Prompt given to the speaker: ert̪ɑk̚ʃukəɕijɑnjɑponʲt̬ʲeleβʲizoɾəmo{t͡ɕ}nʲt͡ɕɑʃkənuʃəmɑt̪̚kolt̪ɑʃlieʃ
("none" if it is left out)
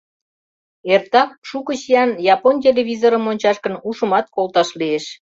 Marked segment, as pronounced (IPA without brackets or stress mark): none